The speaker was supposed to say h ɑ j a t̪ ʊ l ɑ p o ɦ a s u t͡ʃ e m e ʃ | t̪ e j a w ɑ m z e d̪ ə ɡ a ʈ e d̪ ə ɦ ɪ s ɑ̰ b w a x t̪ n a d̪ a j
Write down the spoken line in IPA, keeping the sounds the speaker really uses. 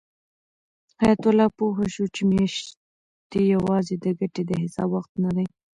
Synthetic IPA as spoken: h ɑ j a t̪ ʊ l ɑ p o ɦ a ʃ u t͡ʃ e m e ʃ | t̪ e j a w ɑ z e d̪ ə ɡ a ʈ e d̪ ə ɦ ɪ s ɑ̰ b w a x t̪ n a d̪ a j